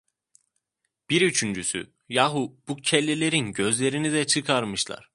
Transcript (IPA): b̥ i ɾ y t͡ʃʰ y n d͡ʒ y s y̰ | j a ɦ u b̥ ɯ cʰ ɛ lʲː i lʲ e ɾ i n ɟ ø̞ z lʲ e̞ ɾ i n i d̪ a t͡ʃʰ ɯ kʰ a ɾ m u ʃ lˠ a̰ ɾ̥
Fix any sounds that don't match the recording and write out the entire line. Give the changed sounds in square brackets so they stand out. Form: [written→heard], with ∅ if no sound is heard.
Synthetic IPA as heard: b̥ i ɾ y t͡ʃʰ y n d͡ʒ y s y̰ | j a ɦ u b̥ [ɯ→u] cʰ ɛ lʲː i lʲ e ɾ i n ɟ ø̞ z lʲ e̞ ɾ i n i d̪ [a→ɛ] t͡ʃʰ ɯ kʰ a ɾ m [u→ɯ] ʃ lˠ a̰ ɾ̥

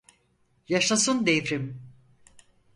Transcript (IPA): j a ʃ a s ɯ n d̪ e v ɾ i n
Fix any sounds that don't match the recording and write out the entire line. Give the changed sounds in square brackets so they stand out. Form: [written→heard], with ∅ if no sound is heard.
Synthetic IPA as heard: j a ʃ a s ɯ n d̪ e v ɾ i [n→m]

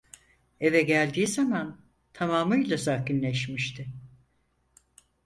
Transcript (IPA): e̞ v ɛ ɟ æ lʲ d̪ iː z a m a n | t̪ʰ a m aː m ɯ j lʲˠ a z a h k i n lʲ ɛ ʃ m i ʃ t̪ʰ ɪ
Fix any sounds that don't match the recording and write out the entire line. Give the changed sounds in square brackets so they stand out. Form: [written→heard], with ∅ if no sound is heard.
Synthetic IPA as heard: e̞ v ɛ ɟ æ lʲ d̪ iː z a m a n | t̪ʰ a m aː m ɯ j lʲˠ a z a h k i n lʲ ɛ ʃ m i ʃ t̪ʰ ɪ

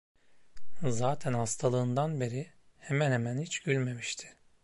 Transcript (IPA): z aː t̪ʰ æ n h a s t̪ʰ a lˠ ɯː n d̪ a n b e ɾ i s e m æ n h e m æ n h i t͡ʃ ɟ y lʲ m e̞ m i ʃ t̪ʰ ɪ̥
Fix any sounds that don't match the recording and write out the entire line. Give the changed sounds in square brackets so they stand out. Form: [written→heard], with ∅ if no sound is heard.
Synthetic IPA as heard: z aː t̪ʰ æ n h a s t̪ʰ a lˠ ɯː n d̪ a n b e ɾ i [s→h] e m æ n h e m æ n h i t͡ʃ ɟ y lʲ m e̞ m i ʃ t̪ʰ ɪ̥

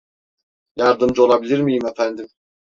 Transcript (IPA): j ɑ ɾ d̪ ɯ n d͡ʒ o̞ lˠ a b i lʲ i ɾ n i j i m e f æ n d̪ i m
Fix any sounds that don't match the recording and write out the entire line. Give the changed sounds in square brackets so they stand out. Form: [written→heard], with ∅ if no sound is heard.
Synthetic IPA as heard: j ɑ ɾ d̪ ɯ [n→m] d͡ʒ o̞ lˠ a b i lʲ i ɾ [n→m] i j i m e f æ n d̪ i m

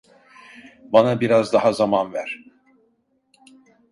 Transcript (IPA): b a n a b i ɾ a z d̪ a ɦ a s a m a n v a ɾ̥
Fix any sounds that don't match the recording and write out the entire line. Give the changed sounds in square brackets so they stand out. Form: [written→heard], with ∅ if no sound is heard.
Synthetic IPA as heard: b a n a b i ɾ a z d̪ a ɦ a [s→z] a m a n v [a→æ] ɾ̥

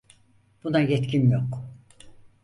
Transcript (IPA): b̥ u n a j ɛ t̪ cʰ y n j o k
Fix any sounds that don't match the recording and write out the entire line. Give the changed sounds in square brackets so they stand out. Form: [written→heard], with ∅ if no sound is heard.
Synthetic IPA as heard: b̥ u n a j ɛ t̪ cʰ [y→i] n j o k

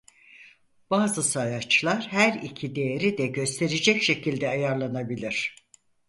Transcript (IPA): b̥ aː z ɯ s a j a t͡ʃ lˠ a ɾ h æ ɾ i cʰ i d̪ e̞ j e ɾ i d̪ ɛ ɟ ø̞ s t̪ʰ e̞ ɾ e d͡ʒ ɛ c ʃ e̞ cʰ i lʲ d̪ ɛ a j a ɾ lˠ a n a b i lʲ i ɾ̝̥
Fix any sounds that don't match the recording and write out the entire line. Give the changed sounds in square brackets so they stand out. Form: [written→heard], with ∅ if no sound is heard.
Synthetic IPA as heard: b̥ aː z ɯ s a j a t͡ʃ lˠ a ɾ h æ ɾ i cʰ i d̪ e̞ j e ɾ i d̪ ɛ ɟ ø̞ s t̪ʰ e̞ ɾ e d͡ʒ ɛ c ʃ e̞ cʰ i lʲ d̪ ɛ a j a ɾ lˠ a n a b i lʲ i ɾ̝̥

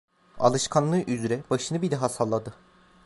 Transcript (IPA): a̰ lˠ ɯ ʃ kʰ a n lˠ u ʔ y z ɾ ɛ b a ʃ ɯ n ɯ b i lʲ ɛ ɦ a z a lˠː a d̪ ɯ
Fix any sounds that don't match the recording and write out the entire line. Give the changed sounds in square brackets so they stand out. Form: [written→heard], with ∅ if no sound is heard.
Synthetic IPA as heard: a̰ lˠ ɯ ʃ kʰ a n lˠ [u→ɯ] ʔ y z ɾ ɛ b a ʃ ɯ n ɯ b i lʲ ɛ ɦ a [z→s] a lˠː a d̪ ɯ

